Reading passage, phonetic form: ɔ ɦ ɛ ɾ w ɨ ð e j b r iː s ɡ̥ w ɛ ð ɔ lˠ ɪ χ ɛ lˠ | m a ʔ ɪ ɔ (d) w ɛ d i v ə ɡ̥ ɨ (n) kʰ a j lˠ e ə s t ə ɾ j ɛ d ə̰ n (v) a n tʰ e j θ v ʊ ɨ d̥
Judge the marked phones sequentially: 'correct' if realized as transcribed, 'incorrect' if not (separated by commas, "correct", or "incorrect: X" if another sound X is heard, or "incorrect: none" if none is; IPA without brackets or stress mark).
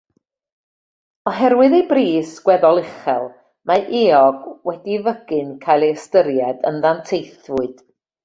incorrect: ɡ, correct, incorrect: ð